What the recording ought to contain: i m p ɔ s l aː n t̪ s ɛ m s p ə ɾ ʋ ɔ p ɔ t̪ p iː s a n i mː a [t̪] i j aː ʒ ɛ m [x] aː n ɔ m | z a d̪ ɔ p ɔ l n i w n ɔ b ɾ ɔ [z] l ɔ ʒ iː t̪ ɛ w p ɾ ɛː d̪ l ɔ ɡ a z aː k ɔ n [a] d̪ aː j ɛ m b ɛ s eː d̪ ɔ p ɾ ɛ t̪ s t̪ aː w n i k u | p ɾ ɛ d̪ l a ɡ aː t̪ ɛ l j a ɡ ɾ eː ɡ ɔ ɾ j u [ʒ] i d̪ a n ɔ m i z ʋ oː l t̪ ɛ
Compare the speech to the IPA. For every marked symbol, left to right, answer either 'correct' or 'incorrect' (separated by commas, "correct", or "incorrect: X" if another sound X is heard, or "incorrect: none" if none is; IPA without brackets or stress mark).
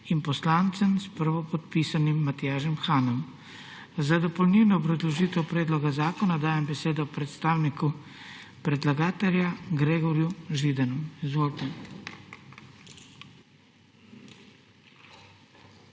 correct, correct, correct, correct, correct